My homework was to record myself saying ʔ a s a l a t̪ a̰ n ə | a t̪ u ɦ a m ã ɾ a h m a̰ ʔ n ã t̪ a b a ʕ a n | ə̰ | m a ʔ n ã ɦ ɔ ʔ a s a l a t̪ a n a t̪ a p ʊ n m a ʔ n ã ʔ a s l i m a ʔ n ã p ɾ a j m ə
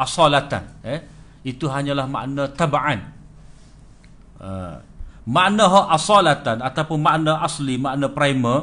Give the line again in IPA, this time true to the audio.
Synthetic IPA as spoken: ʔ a s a l a t̪ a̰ n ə | i t̪ u ɦ a ɲ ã l a h m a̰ ʔ n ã t̪ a b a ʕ a n | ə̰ | m a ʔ n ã ɦ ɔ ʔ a s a l a t̪ a n a t̪ a p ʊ n m a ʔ n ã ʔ a s l i m a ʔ n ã p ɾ a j m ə